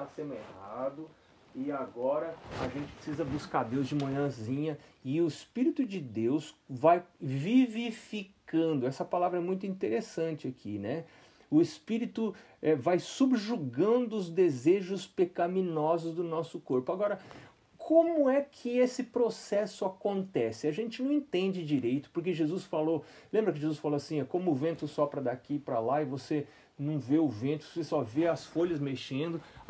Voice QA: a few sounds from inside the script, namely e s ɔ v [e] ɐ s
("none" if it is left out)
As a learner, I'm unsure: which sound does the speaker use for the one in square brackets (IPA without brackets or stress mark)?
e